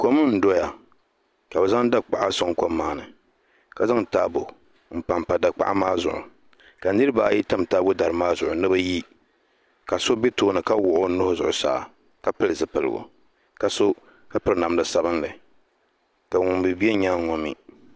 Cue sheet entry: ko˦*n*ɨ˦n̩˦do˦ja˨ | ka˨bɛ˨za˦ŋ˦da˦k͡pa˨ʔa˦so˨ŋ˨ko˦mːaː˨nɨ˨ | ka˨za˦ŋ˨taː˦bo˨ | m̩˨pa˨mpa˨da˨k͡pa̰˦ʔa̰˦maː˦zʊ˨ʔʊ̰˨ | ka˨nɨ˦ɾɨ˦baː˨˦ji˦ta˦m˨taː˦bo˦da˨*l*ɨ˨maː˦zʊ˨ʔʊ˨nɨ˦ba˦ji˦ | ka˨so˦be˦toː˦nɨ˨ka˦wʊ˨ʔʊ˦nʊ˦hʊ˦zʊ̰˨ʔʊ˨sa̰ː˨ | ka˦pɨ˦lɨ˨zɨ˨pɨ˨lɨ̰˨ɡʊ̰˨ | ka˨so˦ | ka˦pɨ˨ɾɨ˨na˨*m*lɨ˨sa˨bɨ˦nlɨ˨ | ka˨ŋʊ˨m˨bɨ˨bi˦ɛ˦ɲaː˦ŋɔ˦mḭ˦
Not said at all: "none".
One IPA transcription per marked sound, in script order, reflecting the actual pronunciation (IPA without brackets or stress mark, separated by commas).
m, ɾ, m